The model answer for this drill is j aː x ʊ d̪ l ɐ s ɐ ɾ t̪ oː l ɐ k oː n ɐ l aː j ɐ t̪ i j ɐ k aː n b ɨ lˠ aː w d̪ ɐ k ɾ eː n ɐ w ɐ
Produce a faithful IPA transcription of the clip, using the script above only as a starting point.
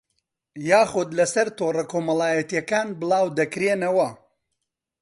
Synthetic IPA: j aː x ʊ d̪ l ɐ s ɐ ɾ t̪ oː r ɐ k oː m ɐ l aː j ɐ t̪ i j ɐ k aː n b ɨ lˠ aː w d̪ ɐ k ɾ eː n ɐ w ɐ

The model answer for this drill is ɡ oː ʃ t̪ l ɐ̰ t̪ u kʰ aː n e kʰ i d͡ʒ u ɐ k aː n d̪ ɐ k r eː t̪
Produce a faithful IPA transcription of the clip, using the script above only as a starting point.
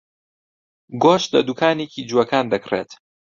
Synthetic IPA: ɡ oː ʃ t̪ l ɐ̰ d̪ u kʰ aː n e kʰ i d͡ʒ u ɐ k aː n d̪ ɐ k r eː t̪

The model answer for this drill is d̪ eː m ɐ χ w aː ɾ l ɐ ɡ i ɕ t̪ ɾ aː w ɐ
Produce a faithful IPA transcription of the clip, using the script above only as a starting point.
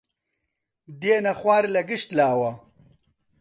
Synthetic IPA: d̪ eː n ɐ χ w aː ɾ l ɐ ɡ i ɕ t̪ l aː w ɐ

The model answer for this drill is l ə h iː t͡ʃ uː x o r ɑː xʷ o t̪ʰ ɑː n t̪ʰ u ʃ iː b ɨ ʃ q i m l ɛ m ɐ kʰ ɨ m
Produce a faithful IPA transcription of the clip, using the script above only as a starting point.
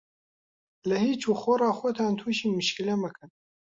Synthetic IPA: l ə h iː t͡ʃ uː x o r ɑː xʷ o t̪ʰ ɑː n t̪ʰ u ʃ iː m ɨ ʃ k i l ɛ m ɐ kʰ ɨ n

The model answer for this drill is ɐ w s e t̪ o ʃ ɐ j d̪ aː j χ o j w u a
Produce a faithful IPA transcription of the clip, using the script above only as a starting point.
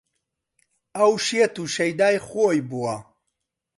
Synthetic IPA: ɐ w ʃ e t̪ u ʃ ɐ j d̪ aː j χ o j b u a

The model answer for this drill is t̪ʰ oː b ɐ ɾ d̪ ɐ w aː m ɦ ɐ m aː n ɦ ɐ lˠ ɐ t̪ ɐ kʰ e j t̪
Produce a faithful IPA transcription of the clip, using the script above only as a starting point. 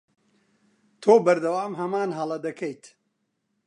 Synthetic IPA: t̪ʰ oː b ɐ ɾ d̪ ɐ w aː m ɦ ɐ m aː n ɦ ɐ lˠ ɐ d̪ ɐ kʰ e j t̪

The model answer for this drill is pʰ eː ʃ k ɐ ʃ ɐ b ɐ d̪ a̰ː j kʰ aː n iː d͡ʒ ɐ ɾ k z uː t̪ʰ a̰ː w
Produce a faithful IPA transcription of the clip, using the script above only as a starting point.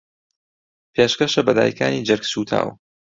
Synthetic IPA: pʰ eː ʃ k ɐ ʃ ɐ b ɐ d̪ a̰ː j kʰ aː n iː d͡ʒ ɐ ɾ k s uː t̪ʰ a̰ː w

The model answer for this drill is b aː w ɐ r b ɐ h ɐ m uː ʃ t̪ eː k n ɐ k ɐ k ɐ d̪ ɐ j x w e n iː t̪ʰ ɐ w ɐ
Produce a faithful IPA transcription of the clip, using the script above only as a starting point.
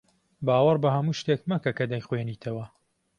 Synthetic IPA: b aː w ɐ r b ɐ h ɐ m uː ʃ t̪ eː k m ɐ k ɐ k ɐ d̪ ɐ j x w e n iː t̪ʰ ɐ w ɐ

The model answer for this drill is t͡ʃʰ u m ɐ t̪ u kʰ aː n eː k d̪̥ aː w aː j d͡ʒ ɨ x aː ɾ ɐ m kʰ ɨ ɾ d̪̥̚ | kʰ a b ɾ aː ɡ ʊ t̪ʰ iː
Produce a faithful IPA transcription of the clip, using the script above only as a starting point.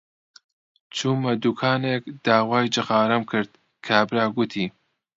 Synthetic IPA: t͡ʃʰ u m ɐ d̪ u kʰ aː n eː k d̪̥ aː w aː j d͡ʒ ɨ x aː ɾ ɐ m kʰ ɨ ɾ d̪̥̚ | kʰ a b ɾ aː ɡ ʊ t̪ʰ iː

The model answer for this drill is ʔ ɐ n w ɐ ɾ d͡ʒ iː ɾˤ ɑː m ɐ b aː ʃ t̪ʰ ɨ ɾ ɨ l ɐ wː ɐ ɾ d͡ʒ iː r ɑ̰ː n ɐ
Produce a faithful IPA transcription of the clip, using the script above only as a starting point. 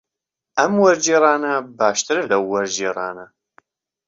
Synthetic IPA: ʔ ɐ m w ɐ ɾ d͡ʒ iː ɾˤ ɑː n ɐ b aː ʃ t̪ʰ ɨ ɾ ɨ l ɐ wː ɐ ɾ d͡ʒ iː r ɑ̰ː n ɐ

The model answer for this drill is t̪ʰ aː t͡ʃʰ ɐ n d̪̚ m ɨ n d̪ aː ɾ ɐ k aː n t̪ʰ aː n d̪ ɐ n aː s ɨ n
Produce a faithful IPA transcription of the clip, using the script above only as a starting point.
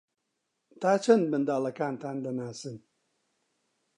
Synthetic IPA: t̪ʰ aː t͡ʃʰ ɐ n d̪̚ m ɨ n d̪ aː l ɐ k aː n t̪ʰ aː n d̪ ɐ n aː s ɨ n

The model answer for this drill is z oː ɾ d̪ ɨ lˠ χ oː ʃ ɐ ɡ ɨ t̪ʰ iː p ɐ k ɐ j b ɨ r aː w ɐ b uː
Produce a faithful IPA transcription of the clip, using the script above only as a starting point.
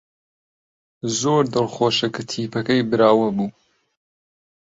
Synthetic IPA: z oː ɾ d̪ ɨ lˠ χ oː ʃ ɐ k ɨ t̪ʰ iː p ɐ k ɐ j b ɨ ɾ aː w ɐ b uː

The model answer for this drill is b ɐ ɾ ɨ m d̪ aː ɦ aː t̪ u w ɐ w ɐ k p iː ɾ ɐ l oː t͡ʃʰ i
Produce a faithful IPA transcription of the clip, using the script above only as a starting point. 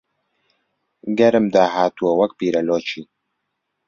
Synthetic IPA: ɡ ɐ ɾ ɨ m d̪ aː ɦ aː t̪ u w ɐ w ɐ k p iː ɾ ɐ l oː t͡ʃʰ i

